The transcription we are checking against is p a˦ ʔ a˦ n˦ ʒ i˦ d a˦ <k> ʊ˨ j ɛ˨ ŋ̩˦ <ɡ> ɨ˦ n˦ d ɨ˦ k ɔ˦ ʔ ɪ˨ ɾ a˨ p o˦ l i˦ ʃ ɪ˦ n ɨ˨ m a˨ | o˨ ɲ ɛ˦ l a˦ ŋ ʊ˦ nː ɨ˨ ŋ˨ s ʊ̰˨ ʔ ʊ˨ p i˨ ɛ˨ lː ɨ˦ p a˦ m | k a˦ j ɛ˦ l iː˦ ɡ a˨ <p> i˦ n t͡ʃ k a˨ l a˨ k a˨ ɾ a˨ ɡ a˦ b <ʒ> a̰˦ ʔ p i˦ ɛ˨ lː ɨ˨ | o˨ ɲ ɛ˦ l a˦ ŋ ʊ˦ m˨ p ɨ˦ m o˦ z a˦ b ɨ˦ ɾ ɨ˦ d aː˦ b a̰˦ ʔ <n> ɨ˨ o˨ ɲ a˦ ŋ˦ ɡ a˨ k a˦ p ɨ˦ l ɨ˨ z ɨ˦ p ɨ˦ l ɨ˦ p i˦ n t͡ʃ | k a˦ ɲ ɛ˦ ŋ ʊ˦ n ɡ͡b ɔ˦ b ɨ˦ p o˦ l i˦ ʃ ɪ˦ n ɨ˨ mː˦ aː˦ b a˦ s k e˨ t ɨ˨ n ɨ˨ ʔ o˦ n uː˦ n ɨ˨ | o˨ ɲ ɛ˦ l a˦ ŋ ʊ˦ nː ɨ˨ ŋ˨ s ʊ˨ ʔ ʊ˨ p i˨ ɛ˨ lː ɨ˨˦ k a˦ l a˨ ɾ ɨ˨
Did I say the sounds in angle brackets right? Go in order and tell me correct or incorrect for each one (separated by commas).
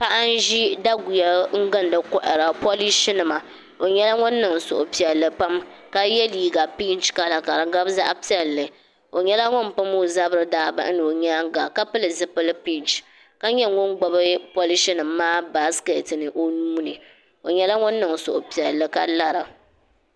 incorrect, correct, correct, incorrect, correct